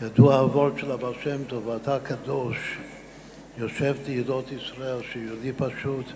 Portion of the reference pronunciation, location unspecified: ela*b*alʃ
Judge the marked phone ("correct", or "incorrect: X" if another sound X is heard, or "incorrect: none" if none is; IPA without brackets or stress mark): correct